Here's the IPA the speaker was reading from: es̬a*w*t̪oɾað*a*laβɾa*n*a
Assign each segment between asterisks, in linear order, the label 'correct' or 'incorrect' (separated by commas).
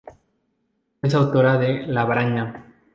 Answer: correct, incorrect, incorrect